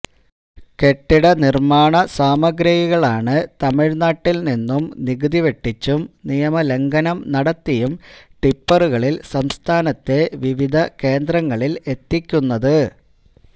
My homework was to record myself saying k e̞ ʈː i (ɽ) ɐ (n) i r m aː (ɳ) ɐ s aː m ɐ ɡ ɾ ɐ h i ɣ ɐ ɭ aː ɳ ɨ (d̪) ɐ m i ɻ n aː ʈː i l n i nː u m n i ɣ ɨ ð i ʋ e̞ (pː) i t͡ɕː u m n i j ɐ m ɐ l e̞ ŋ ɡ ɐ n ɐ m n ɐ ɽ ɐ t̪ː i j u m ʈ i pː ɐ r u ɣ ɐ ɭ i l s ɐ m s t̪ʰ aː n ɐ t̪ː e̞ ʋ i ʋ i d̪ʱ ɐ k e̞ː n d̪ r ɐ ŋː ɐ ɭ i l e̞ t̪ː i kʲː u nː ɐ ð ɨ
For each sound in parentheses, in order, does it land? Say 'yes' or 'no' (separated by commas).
yes, yes, yes, no, no